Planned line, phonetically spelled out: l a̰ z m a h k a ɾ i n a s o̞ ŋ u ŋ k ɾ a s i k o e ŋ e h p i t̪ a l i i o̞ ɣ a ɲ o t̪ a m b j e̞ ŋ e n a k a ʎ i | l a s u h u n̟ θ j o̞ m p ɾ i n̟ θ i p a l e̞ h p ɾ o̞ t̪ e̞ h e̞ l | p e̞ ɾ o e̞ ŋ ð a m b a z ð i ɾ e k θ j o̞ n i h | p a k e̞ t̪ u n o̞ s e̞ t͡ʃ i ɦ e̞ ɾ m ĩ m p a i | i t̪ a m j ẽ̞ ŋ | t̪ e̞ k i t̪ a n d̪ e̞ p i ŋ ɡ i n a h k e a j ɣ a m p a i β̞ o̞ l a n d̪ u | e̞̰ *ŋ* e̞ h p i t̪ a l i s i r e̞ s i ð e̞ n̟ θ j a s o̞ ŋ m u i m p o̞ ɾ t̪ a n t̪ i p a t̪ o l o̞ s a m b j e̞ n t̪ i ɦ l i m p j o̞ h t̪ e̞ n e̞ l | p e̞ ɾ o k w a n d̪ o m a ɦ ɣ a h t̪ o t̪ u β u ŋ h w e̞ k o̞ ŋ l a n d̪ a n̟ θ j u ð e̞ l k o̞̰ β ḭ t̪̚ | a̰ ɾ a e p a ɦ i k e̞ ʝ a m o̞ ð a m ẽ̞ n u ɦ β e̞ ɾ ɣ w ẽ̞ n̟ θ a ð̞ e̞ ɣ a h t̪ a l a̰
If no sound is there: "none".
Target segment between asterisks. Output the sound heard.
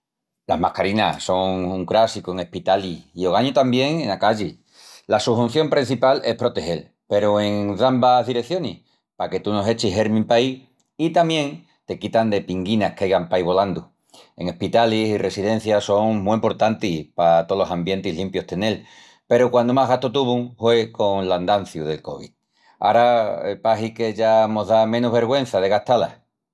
ŋ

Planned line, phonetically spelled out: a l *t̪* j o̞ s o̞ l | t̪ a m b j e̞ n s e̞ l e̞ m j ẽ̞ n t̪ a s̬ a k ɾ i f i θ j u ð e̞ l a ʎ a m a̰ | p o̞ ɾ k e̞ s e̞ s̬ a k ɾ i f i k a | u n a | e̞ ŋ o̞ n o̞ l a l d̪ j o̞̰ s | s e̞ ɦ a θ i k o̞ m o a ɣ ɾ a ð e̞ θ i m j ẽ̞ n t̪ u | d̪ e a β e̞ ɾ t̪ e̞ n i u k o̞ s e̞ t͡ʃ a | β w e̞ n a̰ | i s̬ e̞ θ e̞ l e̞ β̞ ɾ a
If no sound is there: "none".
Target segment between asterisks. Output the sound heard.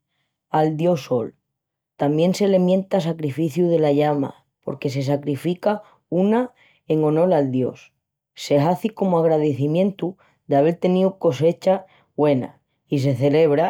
d̪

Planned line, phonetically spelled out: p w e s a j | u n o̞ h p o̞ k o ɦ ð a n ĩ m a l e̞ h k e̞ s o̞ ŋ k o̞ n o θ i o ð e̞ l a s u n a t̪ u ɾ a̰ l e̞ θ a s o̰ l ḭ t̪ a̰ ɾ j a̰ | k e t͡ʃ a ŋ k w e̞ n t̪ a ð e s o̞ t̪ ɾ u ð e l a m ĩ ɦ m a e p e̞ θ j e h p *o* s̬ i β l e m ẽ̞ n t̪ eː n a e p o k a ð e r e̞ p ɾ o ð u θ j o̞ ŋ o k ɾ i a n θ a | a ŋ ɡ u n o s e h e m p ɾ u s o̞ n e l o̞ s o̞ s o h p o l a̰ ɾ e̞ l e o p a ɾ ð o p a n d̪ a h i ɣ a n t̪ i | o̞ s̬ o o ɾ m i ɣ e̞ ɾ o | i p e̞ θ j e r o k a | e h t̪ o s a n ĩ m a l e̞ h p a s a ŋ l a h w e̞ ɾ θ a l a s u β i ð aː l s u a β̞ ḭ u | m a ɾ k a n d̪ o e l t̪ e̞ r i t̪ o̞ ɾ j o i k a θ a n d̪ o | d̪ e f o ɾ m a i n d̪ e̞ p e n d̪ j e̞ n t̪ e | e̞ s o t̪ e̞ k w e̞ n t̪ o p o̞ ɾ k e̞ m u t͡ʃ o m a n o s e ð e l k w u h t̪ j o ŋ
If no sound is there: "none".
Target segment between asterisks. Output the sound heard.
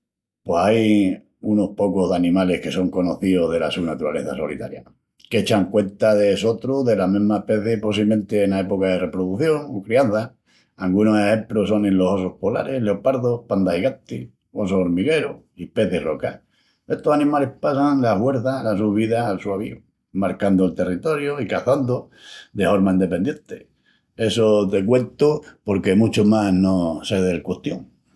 o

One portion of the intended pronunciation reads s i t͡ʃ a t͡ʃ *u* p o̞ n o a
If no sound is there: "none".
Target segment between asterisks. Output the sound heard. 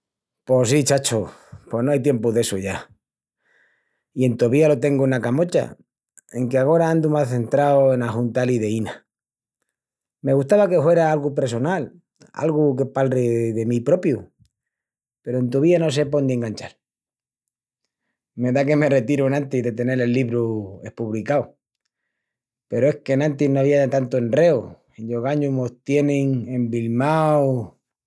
o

